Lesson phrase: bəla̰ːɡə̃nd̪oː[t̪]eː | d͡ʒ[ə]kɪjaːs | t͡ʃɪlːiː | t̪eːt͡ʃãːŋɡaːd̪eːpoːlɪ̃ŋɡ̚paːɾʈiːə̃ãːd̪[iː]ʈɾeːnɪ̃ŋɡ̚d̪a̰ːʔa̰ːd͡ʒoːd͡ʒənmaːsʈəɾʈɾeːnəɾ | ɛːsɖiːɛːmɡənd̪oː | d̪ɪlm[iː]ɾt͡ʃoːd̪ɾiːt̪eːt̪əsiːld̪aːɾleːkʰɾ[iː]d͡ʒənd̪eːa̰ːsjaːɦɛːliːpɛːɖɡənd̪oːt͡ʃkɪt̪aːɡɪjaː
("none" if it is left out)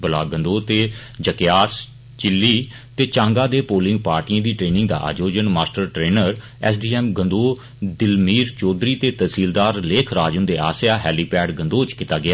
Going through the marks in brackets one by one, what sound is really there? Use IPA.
t̪, ə, iː, iː, aː

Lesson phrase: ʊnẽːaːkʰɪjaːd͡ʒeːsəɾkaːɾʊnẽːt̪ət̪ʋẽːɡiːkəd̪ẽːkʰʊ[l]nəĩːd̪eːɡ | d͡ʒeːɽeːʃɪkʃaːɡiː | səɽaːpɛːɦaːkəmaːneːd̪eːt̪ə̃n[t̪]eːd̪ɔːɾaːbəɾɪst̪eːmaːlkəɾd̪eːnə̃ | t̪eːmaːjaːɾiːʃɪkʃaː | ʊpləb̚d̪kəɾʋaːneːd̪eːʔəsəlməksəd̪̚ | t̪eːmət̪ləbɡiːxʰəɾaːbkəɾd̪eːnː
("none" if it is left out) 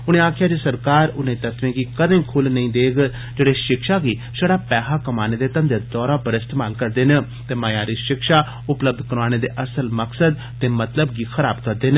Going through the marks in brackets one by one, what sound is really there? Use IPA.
l, d̪

